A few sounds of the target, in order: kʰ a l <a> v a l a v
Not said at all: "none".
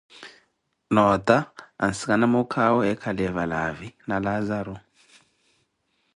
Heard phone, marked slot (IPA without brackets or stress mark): ɛ